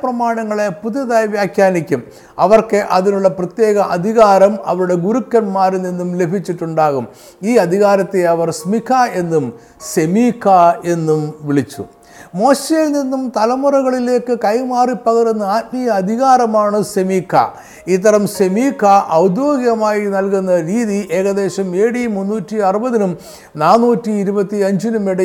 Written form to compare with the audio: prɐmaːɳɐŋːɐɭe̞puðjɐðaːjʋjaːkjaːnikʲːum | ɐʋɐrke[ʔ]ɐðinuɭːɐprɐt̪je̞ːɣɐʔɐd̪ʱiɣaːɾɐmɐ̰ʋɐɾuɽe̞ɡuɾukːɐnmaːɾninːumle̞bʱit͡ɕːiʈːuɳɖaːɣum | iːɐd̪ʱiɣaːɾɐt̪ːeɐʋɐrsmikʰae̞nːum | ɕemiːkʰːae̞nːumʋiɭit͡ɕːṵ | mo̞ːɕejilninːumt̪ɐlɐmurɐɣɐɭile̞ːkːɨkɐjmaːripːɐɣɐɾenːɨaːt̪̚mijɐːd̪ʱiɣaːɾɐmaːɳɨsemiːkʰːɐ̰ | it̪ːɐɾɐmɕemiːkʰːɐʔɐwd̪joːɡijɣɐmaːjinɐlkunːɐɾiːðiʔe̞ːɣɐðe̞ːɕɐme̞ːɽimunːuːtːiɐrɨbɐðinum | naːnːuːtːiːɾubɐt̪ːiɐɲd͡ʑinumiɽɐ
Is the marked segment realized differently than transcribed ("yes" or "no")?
no